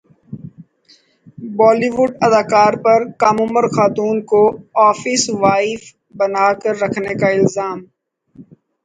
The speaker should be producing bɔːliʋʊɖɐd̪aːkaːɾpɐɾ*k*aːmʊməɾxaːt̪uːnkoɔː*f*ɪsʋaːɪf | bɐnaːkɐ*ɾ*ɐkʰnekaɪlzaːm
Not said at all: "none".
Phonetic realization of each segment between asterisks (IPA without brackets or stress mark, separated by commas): k, f, ɾː